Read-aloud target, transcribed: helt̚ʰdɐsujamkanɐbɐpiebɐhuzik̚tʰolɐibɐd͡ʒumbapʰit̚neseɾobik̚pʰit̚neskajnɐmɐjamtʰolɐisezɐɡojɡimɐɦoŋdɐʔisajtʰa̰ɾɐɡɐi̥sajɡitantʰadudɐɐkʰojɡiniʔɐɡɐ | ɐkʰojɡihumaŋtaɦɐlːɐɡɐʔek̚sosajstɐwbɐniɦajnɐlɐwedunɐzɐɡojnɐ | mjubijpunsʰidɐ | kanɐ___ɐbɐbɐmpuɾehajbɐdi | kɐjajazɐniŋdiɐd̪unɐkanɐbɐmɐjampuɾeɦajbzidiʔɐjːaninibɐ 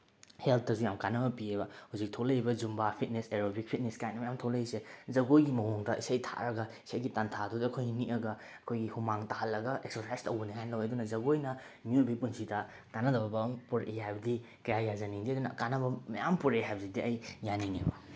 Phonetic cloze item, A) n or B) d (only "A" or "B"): B